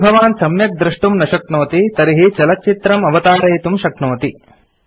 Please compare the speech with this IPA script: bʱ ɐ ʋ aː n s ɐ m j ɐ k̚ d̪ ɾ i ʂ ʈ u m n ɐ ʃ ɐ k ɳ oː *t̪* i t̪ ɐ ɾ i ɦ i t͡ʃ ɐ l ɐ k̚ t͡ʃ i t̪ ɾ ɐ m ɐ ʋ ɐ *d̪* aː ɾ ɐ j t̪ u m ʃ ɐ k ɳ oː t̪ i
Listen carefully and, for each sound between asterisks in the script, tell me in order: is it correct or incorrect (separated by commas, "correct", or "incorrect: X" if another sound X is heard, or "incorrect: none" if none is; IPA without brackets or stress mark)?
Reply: correct, incorrect: t̪